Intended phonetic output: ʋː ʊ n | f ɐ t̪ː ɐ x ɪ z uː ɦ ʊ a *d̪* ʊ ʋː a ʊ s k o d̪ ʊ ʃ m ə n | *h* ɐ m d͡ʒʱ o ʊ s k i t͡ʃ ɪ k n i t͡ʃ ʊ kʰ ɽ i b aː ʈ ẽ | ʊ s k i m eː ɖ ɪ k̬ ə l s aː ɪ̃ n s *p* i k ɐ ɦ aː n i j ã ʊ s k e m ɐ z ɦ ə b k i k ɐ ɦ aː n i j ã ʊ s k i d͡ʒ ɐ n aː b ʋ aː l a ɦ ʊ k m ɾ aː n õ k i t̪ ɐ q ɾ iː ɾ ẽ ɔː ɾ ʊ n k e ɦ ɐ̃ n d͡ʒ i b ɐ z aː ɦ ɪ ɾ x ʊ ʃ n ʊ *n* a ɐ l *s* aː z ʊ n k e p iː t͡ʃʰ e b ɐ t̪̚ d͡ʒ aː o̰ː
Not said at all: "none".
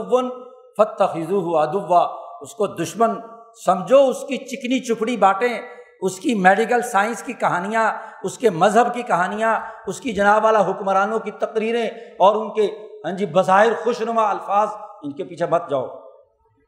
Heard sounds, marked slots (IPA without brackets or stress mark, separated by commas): d̪, s, k, m, f